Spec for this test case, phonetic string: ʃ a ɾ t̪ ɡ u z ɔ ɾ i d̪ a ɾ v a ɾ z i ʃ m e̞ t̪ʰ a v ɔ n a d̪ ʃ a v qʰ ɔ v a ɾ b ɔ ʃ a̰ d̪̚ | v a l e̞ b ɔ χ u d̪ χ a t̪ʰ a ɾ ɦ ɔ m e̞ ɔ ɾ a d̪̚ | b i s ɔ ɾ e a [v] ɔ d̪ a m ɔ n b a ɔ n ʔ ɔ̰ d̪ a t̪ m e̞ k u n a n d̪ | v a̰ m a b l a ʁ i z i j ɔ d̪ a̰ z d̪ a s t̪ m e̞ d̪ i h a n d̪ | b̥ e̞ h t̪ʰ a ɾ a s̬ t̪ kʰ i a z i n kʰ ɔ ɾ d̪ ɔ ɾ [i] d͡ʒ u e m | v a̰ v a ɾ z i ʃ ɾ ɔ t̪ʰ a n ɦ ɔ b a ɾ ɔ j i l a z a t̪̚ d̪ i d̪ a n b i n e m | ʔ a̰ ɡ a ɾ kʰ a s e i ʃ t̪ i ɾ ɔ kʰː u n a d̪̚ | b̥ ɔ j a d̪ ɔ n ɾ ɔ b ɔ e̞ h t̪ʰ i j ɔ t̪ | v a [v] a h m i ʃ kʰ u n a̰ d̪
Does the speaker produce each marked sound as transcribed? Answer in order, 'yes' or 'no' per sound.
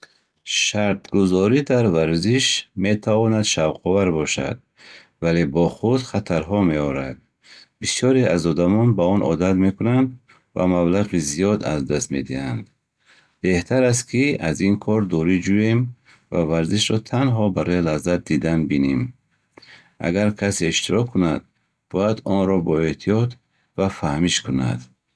no, yes, no

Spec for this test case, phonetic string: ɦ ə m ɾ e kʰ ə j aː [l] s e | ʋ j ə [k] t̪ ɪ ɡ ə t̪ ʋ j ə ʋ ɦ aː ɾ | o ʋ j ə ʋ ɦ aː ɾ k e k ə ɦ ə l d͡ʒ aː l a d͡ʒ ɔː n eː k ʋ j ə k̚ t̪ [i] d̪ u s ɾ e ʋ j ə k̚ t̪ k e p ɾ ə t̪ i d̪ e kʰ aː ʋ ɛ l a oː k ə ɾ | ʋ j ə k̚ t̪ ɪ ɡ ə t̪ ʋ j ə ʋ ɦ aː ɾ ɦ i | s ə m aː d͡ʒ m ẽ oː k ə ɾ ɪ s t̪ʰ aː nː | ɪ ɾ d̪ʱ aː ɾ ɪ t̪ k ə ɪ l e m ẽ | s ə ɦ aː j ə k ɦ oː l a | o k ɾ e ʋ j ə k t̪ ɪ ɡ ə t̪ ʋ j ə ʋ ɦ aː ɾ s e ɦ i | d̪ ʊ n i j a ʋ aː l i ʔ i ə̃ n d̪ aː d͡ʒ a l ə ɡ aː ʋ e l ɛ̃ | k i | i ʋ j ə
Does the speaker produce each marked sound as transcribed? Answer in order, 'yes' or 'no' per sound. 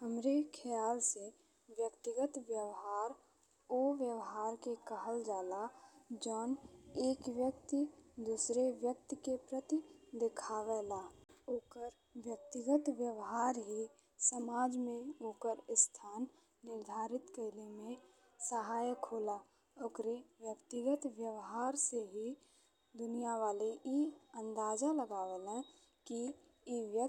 yes, yes, yes

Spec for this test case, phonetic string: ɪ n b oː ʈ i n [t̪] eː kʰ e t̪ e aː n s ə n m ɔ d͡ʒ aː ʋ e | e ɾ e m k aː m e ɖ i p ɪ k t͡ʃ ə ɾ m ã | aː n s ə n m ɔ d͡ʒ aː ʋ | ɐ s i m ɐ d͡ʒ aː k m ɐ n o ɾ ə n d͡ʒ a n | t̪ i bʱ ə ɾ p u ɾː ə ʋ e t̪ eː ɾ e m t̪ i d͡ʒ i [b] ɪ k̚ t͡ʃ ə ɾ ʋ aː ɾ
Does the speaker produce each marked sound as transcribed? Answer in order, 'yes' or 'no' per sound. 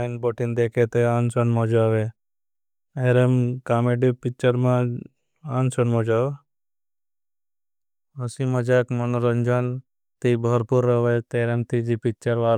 no, no

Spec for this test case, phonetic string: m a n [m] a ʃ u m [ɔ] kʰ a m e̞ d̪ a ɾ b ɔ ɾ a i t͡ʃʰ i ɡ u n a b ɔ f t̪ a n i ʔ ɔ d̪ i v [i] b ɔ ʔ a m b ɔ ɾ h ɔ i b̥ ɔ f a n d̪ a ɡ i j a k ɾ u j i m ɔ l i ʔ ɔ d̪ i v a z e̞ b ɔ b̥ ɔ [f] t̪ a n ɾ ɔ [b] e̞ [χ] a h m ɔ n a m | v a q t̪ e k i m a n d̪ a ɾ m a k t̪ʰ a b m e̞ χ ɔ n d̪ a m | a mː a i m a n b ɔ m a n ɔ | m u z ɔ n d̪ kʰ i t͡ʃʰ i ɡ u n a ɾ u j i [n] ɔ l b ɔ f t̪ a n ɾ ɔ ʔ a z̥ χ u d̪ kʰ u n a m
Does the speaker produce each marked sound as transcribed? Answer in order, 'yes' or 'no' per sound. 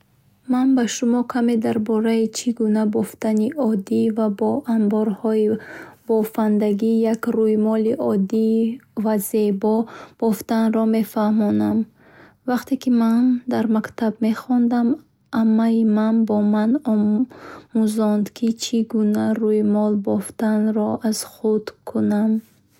no, yes, no, yes, no, no, no

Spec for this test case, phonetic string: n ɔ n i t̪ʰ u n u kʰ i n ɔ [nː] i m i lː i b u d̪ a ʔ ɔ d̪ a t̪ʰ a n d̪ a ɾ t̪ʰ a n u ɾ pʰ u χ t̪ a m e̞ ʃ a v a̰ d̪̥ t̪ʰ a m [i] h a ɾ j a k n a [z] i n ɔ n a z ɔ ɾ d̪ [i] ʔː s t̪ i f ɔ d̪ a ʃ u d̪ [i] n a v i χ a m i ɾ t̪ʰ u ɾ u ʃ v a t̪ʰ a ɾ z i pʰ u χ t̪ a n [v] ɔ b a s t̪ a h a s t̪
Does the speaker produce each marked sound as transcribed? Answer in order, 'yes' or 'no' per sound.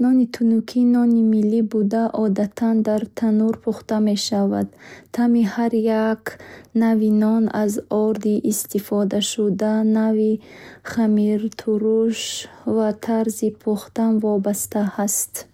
no, yes, no, yes, no, yes

